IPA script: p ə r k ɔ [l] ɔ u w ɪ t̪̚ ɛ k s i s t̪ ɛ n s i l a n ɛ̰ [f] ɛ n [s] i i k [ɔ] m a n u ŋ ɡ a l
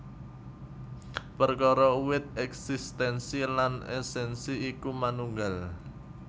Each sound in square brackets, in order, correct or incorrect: incorrect, incorrect, correct, incorrect

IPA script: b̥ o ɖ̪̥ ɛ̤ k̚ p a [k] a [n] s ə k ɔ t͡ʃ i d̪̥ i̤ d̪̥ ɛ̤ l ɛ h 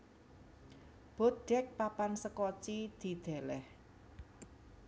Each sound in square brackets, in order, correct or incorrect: incorrect, correct

